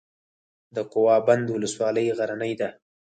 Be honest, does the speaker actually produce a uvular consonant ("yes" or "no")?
yes